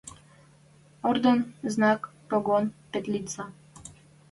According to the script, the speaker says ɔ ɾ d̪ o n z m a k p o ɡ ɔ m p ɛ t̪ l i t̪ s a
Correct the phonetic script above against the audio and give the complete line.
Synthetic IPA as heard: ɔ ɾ d̪ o n z n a k p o ɡ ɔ n p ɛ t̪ l i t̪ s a